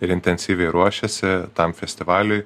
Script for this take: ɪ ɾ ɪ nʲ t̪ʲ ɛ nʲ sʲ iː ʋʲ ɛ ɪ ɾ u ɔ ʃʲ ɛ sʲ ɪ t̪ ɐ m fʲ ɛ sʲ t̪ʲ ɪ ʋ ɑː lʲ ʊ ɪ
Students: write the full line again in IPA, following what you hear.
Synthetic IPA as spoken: ɪ ɾ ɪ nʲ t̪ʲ ɛ nʲ sʲ iː ʋʲ ɛ ɪ ɾ u ɔ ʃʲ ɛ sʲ ɪ t̪ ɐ m fʲ ɛ sʲ t̪ʲ ɪ ʋ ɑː lʲ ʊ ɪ